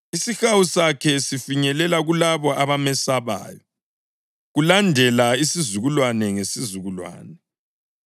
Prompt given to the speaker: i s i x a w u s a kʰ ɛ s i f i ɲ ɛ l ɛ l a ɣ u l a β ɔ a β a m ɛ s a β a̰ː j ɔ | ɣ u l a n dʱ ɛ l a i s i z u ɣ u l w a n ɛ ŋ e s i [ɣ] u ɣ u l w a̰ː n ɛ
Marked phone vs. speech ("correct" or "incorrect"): incorrect